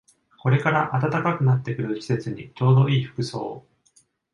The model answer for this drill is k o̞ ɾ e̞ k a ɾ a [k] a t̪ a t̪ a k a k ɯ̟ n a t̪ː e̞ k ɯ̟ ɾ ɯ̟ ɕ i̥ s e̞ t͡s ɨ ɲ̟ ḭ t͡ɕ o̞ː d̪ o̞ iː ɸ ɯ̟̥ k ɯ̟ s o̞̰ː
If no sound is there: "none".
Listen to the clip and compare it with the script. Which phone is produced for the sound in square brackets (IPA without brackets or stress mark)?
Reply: ʔ